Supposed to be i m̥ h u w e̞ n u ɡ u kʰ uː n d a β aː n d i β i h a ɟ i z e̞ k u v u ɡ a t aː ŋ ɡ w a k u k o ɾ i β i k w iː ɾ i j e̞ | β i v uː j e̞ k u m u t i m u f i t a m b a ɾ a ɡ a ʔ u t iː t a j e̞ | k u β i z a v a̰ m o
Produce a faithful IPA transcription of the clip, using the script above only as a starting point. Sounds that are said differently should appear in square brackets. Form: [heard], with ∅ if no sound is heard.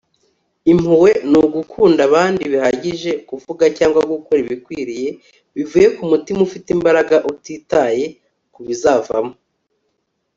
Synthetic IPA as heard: i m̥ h u w e̞ n u ɡ u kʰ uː n d a β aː n d i β i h a ɟ i [ʒ] e̞ k u v u ɡ a [c] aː ŋ ɡ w a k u k o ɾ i β i k w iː ɾ i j e̞ | β i v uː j e̞ k u m u t i m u f i t [i] m b a ɾ a ɡ a ʔ u t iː t a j e̞ | k u β i z a v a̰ m o